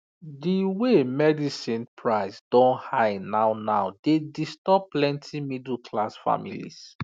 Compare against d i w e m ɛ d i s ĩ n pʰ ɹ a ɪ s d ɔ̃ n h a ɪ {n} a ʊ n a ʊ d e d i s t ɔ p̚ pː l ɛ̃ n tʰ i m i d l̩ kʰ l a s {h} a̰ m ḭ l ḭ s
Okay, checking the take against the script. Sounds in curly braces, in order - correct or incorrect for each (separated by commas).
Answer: correct, incorrect